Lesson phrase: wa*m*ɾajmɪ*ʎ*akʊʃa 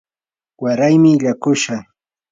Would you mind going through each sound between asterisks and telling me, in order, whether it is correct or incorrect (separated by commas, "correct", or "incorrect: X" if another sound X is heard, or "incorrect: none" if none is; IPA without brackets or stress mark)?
incorrect: none, correct